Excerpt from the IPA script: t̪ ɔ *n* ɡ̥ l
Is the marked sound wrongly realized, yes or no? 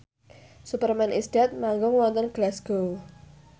no